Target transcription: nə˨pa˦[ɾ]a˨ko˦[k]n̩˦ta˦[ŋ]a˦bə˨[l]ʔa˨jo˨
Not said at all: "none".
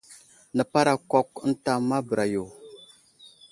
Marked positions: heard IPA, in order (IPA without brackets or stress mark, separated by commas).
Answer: ɾ, k, m, ɾ